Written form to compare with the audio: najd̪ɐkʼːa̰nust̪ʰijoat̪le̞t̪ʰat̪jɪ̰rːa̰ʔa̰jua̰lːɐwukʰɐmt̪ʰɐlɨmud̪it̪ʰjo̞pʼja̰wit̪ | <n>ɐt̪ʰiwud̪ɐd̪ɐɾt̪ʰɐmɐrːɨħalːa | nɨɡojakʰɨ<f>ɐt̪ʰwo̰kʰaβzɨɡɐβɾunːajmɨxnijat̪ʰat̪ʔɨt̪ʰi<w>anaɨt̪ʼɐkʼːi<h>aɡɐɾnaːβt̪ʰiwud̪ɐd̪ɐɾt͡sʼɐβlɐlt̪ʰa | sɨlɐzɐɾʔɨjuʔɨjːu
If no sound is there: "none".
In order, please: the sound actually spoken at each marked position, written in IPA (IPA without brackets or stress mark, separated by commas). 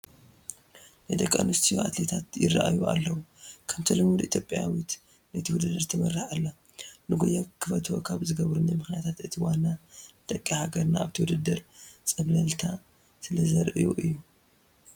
n, f, w, h